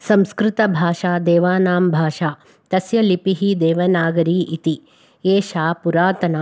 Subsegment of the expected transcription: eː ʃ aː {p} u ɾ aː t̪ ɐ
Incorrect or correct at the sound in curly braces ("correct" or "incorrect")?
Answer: correct